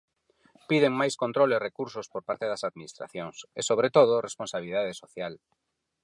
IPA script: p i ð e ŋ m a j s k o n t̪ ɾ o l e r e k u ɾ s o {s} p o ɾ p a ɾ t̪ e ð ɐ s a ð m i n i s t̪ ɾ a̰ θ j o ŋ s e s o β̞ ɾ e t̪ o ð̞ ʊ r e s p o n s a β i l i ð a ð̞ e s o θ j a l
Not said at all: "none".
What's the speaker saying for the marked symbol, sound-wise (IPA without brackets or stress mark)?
s